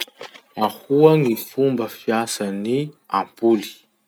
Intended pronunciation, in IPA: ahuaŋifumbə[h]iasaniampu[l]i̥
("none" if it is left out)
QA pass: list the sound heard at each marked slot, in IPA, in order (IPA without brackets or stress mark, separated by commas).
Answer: f, l